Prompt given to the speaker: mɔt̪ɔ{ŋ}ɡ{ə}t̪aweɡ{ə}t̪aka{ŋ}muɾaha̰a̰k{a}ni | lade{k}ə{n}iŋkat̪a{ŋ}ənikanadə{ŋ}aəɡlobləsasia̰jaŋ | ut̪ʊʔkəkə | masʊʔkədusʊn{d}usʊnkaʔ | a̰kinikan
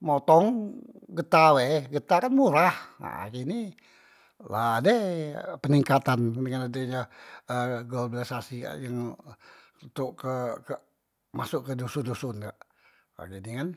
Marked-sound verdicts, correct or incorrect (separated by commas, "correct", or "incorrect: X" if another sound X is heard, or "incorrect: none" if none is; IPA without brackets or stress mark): correct, correct, correct, incorrect: n, incorrect: i, incorrect: p, correct, incorrect: n, incorrect: ɲ, correct